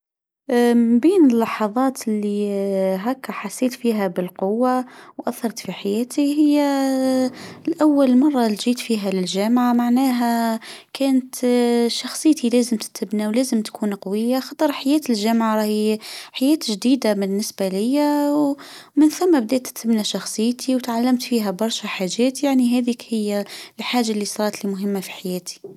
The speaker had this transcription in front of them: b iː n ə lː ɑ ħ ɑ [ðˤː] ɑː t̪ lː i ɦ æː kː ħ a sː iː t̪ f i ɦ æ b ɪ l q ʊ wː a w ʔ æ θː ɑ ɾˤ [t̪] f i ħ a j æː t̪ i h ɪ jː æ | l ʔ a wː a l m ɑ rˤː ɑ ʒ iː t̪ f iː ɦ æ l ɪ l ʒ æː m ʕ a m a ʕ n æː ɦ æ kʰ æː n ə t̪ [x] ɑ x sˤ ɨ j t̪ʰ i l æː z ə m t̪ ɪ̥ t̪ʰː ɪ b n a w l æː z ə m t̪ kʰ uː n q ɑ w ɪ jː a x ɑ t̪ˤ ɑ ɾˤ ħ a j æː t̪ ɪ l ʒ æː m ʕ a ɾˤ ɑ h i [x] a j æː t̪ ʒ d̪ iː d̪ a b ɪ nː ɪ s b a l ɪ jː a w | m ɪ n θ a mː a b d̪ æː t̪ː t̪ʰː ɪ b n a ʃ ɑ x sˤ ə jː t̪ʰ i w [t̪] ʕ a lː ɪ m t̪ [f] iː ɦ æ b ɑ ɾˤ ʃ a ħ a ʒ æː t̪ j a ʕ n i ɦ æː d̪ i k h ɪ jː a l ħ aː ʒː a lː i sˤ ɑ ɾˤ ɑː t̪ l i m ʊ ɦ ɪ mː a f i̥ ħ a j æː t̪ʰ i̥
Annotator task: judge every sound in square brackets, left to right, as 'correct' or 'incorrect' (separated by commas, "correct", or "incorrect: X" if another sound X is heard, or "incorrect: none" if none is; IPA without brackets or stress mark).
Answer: incorrect: ðˤ, correct, incorrect: ʃ, incorrect: ħ, correct, correct